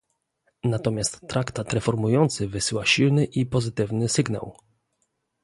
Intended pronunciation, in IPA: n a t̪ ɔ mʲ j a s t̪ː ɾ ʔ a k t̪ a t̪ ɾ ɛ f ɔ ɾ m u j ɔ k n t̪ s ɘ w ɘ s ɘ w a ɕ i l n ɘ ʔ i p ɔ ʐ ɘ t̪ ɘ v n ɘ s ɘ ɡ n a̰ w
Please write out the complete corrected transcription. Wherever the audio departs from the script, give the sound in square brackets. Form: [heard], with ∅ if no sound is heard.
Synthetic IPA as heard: n a t̪ ɔ mʲ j a s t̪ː ɾ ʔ a k t̪ a t̪ ɾ ɛ f ɔ ɾ m u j ɔ [∅] n t̪ s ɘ [v] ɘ s ɘ w a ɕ i l n ɘ ʔ i p ɔ [z] ɘ t̪ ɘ v n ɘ s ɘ ɡ n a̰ w